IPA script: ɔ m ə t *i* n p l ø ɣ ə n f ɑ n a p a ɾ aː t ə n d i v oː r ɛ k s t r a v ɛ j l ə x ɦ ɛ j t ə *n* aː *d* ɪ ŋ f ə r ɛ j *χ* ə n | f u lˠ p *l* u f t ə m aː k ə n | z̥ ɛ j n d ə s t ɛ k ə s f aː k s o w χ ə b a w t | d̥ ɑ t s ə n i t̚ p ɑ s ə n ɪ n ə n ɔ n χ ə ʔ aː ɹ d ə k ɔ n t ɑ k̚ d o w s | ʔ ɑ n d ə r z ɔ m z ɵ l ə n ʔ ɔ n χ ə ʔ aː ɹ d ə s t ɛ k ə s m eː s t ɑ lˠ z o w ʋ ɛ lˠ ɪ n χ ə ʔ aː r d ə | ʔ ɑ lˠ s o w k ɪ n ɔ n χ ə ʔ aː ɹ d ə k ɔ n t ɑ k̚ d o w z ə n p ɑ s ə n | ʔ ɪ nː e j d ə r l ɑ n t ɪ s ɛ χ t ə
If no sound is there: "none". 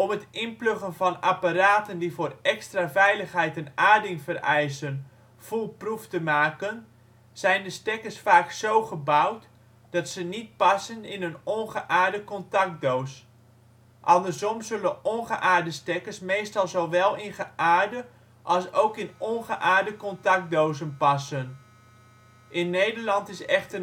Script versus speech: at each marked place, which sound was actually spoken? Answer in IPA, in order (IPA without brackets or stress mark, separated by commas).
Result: ɪ, n, d, s, r